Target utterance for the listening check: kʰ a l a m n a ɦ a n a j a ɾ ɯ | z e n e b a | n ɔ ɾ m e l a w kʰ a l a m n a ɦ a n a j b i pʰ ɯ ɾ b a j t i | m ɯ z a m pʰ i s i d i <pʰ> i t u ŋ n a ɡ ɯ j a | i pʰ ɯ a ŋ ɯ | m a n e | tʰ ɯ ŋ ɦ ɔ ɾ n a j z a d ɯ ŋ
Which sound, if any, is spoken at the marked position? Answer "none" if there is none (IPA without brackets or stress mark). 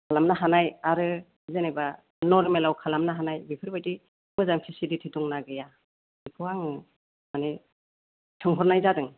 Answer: tʰ